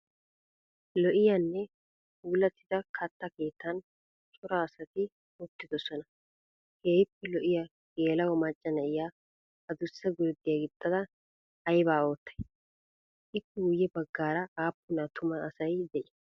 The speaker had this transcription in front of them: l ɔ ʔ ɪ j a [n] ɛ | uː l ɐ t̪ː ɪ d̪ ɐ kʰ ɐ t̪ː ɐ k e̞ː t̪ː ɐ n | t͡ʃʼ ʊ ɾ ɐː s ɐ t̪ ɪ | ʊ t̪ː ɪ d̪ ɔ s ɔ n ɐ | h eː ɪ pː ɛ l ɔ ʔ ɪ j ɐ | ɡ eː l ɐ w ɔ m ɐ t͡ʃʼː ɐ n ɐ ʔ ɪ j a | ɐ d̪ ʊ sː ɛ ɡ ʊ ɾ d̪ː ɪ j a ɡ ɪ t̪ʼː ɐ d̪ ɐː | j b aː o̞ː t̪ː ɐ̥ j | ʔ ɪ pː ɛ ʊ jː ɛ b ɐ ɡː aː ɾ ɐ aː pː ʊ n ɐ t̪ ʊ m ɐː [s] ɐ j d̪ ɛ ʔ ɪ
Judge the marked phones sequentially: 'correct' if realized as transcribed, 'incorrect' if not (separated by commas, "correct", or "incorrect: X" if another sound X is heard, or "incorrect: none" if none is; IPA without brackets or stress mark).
incorrect: nː, correct